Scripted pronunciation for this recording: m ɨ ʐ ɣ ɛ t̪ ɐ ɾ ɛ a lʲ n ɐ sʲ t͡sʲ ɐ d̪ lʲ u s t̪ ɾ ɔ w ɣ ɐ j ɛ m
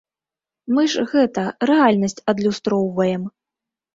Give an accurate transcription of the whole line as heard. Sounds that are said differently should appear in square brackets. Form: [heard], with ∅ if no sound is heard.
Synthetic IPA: m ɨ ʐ ɣ ɛ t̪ ɐ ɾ ɛ a lʲ n ɐ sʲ t͡sʲ ɐ d̪ lʲ u s t̪ ɾ ɔ w [v] ɐ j ɛ m